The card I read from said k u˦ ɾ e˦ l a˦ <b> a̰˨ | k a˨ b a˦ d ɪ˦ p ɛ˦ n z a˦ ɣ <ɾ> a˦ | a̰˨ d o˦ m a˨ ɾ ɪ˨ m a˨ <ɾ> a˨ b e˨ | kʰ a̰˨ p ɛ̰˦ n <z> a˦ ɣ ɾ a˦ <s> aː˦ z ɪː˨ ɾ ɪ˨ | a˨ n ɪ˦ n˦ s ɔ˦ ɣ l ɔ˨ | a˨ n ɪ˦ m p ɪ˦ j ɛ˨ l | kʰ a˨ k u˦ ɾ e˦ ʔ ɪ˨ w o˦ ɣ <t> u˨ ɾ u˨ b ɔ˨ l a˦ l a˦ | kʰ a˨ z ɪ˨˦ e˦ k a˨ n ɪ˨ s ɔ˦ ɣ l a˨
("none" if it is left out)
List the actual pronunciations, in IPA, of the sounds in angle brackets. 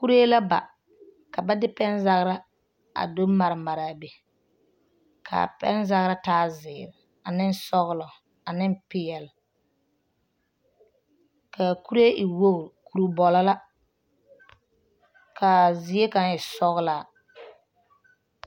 b, ɾ, ɾ, z, t, k

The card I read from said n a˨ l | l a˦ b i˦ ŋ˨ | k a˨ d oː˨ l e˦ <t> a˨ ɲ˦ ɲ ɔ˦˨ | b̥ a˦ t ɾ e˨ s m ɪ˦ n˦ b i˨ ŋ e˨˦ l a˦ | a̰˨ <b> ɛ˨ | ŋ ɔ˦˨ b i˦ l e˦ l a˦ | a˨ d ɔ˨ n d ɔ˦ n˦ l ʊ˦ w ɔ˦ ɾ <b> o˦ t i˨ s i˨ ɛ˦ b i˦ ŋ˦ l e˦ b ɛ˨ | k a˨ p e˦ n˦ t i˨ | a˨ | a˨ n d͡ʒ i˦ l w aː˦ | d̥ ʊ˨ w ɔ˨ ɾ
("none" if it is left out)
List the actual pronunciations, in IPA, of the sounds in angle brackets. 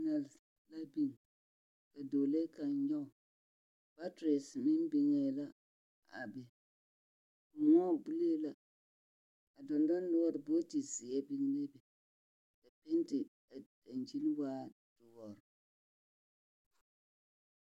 k, b, b

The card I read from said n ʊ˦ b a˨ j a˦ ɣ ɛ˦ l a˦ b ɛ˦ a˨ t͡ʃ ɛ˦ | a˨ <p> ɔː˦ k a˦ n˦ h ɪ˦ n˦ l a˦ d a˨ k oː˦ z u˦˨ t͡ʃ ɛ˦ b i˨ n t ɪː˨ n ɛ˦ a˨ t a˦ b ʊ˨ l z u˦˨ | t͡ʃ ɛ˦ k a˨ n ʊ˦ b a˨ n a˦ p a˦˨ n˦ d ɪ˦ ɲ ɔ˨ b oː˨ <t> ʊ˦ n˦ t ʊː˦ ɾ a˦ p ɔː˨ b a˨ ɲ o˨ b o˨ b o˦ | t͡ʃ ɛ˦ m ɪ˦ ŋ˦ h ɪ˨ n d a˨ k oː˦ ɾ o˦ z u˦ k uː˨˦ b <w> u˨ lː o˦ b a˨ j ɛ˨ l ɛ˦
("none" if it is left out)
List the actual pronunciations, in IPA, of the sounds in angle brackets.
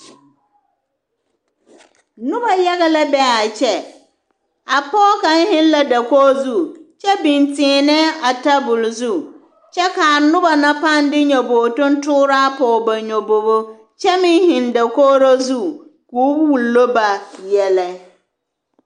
p, t, w

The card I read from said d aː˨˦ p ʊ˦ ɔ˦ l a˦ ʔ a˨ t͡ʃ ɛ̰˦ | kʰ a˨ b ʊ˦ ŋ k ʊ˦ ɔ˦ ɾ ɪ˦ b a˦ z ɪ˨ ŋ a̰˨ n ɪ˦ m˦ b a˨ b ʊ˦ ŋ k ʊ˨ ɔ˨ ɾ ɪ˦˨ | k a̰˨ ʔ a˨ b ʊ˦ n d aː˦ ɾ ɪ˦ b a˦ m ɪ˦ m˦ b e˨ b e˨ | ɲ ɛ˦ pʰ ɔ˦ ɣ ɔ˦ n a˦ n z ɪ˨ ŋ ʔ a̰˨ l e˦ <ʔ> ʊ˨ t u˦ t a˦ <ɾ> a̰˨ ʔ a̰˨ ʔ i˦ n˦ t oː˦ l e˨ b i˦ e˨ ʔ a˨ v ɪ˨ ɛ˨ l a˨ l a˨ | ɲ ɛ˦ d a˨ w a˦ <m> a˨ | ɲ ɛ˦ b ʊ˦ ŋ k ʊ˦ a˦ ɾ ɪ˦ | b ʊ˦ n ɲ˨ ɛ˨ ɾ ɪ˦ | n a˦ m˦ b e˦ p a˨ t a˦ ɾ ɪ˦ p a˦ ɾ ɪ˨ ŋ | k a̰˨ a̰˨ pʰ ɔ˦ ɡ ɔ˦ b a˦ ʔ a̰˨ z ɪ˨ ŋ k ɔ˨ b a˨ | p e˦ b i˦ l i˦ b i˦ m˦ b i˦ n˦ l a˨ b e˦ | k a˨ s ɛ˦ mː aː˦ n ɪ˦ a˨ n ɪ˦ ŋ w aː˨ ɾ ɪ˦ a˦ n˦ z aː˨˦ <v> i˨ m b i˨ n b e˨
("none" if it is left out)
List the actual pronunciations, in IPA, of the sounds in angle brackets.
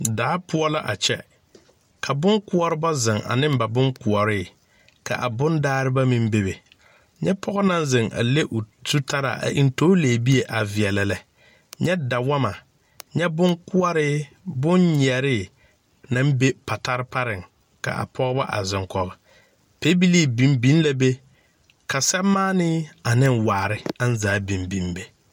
ʔ, ɾ, m, b

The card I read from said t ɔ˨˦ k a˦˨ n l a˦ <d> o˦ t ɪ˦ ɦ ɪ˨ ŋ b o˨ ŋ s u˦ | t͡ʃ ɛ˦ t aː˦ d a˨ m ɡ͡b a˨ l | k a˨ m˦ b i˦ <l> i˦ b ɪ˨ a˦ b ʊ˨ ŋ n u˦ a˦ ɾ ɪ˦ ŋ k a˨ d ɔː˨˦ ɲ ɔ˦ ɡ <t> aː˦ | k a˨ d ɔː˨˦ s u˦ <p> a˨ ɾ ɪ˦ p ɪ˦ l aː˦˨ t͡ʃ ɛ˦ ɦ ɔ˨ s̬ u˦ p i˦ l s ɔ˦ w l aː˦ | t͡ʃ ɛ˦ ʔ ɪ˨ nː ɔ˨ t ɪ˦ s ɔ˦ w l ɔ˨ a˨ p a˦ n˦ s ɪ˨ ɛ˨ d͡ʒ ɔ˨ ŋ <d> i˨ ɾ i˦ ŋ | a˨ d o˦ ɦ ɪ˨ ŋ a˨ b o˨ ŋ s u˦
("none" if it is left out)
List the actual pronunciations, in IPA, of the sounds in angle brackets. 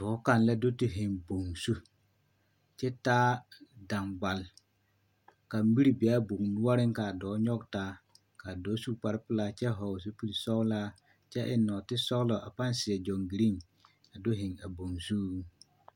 d, ɾ, t, p, ɡ

